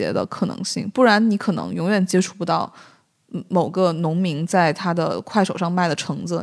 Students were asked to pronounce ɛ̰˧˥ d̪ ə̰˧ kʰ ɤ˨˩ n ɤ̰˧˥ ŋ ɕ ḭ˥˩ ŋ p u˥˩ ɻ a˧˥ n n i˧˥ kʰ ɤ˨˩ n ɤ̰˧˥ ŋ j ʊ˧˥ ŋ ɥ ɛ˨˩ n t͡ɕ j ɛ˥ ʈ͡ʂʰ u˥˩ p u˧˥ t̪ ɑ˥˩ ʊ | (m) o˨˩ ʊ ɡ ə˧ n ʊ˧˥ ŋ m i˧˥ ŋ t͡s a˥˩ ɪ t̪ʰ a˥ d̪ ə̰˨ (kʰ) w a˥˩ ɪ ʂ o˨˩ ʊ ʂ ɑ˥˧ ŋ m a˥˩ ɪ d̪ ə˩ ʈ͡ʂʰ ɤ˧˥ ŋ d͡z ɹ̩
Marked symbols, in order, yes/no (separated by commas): yes, yes